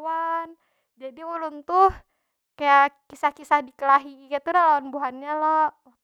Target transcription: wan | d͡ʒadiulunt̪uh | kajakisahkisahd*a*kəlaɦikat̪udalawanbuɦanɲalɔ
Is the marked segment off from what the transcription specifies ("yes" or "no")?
yes